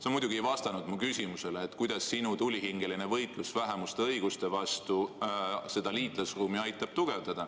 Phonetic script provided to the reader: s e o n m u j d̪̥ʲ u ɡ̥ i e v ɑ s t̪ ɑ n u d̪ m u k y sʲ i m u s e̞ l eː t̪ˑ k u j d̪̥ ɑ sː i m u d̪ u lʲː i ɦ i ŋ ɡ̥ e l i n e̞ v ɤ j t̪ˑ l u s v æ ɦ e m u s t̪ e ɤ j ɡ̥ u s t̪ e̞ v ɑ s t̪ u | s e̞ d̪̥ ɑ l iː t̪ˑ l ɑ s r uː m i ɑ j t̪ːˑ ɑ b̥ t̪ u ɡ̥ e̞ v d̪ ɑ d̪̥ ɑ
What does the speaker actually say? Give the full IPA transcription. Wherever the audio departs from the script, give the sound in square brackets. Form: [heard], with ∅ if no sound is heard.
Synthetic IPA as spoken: s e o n m u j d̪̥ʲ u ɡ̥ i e v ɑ s t̪ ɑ n u d̪ m u k y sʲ i m u s e̞ l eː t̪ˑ k u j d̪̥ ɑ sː i [n] u [t̪] u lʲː i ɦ i ŋ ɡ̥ e l i n e̞ v ɤ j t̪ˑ l u s v æ ɦ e m u s t̪ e ɤ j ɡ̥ u s t̪ e̞ v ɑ s t̪ u | s e̞ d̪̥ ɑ l iː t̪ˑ l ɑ s r uː m i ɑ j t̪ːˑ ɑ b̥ t̪ u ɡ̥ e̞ v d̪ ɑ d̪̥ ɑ